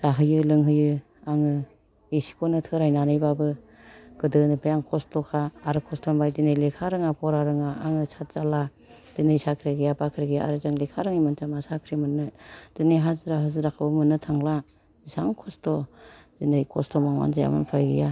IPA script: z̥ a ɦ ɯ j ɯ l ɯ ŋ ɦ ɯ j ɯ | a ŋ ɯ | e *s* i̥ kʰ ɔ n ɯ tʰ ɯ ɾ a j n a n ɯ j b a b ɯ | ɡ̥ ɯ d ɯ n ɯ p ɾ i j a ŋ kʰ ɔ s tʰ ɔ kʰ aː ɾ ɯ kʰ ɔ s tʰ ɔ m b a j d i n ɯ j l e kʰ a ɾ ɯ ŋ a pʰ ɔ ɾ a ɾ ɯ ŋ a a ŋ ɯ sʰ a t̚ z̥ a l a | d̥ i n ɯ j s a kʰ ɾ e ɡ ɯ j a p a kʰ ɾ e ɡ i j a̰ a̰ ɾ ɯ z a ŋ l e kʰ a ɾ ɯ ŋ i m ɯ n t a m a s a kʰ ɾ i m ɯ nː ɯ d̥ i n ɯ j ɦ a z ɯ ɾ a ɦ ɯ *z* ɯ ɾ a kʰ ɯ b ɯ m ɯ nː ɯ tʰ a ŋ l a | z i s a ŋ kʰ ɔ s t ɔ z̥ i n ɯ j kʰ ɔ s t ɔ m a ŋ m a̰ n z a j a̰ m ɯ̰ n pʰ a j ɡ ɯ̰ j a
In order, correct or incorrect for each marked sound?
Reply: correct, correct

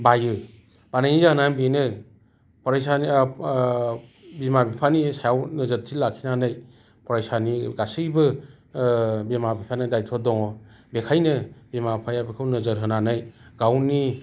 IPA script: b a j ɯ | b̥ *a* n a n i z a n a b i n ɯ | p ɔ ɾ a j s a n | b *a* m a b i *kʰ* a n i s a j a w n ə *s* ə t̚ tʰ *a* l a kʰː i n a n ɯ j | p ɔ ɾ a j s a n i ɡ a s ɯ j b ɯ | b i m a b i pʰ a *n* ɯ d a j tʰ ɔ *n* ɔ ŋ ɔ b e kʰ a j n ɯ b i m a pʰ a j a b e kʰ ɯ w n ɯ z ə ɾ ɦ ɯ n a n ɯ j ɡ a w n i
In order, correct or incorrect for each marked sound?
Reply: correct, incorrect, incorrect, incorrect, incorrect, correct, incorrect

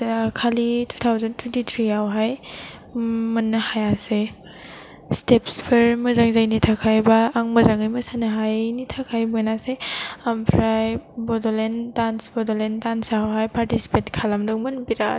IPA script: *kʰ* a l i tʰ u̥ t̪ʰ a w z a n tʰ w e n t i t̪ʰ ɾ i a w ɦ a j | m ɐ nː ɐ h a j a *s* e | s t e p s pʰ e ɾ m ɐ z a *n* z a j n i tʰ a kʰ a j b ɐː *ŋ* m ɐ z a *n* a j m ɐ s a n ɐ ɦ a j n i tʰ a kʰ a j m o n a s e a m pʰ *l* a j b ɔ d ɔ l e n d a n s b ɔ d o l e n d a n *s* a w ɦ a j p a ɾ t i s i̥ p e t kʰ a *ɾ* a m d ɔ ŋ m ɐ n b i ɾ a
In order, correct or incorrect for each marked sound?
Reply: correct, correct, incorrect, correct, incorrect, incorrect, correct, incorrect

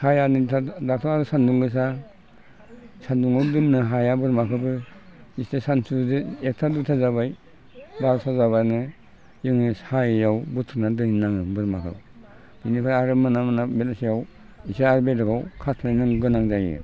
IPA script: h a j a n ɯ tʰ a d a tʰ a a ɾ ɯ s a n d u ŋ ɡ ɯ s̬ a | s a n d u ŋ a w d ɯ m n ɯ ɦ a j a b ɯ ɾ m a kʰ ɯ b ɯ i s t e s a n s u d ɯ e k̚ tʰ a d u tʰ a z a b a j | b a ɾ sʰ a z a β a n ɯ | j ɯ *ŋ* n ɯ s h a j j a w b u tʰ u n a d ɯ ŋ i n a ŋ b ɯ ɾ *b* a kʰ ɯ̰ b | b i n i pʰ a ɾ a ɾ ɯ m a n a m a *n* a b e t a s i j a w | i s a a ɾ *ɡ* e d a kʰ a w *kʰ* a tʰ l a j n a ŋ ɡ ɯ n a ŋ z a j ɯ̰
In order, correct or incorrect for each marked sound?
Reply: correct, incorrect, correct, incorrect, correct

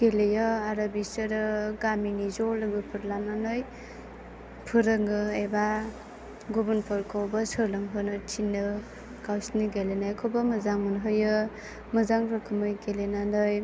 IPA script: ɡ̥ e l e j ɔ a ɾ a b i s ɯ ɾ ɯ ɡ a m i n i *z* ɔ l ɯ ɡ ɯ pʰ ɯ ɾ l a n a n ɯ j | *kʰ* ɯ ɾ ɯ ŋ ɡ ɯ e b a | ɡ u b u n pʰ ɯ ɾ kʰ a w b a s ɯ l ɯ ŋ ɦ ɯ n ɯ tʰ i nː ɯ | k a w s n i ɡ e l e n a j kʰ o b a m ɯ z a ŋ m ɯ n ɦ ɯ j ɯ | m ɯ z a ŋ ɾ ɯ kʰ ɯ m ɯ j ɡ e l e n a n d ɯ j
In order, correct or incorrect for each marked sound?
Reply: correct, incorrect

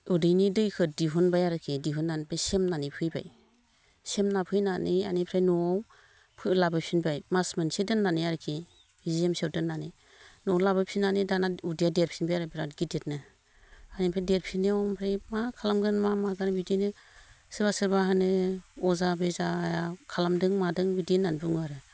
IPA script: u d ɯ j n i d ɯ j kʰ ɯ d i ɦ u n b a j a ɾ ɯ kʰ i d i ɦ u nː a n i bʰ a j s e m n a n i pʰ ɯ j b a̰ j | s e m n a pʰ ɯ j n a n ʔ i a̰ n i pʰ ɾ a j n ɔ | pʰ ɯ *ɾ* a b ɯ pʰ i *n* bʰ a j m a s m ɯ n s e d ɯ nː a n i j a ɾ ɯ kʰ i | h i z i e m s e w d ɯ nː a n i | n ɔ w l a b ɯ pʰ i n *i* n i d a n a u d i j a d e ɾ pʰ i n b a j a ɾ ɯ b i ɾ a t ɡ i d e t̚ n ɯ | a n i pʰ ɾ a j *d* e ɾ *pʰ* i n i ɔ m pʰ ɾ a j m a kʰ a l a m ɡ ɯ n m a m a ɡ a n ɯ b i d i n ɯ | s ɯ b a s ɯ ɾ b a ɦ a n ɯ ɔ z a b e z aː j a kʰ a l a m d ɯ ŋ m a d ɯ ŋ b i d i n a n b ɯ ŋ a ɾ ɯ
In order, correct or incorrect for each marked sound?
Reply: incorrect, correct, incorrect, correct, correct

